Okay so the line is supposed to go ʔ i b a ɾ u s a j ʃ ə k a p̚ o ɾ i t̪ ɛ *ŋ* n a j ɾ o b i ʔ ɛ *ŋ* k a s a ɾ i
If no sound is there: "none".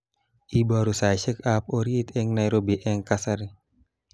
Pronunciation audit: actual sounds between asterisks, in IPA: ŋ, ŋ

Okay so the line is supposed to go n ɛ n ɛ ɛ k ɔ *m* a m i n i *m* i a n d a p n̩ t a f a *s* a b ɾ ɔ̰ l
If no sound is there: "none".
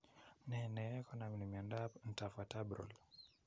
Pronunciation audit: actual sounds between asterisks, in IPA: n, m, t

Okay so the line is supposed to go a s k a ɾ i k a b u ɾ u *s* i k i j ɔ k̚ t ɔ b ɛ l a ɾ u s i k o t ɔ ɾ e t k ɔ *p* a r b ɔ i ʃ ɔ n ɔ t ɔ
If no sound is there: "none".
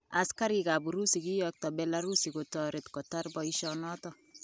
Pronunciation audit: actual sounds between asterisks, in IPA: s, t

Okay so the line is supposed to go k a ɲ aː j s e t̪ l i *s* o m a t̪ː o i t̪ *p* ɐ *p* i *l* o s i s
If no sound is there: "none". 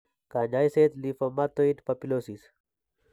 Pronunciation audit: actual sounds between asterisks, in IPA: f, p, p, l

